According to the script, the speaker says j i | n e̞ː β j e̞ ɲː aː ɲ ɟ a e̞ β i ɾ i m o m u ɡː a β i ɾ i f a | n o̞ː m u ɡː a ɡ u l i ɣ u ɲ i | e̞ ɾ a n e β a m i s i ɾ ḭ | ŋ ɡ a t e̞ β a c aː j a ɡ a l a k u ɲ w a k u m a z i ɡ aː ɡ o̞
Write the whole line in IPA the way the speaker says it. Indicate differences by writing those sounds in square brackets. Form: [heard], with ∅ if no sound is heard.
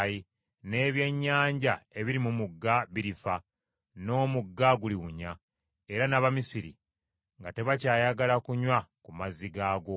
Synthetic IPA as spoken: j i | n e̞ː β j e̞ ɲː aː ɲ ɟ a e̞ β i ɾ i m [u] m u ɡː a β i ɾ i f a | n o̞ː m u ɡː a ɡ u l i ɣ u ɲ [a] | e̞ ɾ a n [a] β a m i s i ɾ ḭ | ŋ ɡ a t e̞ β a c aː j a ɡ a l a k u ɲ w a k u m a z i ɡ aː ɡ o̞